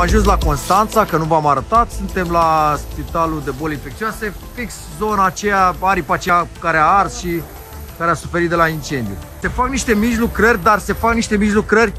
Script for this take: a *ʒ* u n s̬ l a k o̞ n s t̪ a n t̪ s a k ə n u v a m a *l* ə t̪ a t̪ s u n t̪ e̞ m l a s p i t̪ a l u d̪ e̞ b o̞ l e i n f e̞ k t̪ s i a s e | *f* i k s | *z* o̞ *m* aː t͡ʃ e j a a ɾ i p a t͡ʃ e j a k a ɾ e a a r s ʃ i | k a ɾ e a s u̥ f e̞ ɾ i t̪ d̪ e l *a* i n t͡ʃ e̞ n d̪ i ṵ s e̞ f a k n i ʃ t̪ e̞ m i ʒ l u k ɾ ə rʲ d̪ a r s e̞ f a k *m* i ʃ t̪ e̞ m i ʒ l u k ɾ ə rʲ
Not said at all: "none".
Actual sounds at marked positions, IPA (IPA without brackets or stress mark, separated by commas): ʒ, ɾ, f, z, n, a, n